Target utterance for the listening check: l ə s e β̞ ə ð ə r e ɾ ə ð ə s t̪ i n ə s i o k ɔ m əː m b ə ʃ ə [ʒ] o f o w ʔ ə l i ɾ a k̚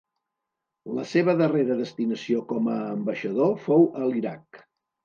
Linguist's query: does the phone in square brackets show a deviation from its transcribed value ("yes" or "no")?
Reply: yes